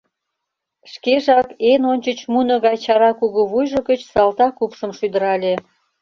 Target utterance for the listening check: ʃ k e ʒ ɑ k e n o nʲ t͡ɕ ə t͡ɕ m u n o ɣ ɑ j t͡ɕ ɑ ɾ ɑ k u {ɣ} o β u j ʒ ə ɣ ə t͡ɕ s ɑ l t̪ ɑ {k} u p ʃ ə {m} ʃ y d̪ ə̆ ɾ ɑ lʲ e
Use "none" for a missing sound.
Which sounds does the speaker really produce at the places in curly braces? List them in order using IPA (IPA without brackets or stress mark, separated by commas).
ɣ, k, m